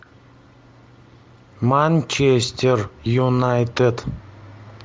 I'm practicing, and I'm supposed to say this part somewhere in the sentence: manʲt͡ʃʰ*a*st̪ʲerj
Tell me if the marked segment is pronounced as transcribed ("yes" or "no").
no